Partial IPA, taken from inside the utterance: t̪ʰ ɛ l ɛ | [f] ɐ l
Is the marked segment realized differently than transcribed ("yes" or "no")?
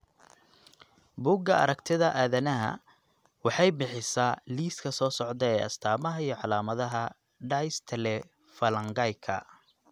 no